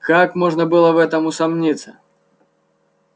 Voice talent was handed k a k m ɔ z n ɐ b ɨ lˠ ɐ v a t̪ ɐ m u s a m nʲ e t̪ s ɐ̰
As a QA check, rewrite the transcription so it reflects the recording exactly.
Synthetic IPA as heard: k a k m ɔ ʐ n ɐ b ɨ lˠ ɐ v ɛ t̪ ɐ m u s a m nʲ i t̪ s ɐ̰